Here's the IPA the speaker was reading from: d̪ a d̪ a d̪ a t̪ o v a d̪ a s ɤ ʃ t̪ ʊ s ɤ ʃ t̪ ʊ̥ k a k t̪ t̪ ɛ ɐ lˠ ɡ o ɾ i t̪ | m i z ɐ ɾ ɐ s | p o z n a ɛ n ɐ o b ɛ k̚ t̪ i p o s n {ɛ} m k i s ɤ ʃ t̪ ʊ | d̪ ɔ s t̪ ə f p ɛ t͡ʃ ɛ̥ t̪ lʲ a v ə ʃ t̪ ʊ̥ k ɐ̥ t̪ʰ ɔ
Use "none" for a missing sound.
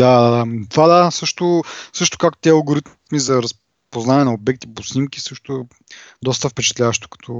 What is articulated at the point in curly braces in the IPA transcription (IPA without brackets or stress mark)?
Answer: i